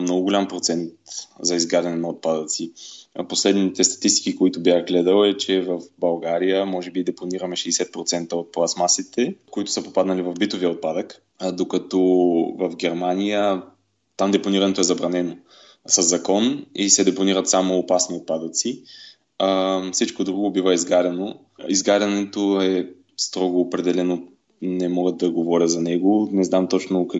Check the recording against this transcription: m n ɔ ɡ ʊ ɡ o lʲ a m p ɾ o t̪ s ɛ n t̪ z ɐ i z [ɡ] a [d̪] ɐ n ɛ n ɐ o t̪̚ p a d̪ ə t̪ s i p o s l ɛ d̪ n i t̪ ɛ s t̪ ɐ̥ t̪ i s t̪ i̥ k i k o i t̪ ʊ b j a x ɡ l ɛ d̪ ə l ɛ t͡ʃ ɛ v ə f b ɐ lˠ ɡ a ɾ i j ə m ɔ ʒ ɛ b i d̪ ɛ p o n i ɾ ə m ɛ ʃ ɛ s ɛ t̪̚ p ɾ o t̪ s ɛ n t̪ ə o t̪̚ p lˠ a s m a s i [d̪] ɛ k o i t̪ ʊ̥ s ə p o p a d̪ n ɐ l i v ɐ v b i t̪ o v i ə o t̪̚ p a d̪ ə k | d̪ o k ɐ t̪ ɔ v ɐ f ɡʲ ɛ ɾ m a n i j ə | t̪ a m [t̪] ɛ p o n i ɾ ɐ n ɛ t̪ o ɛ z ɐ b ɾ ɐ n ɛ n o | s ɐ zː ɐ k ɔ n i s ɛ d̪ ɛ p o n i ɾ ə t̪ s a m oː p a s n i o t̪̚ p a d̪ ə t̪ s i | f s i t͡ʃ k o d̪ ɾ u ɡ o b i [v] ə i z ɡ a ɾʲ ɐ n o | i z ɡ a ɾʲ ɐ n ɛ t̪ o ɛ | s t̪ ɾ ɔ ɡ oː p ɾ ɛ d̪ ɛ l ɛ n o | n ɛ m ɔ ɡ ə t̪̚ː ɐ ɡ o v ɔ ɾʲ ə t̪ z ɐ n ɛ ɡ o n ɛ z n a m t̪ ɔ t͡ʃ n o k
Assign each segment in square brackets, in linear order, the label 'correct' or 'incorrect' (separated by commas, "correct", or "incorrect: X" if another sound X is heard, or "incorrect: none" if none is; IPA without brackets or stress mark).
correct, correct, incorrect: t̪, incorrect: d̪, correct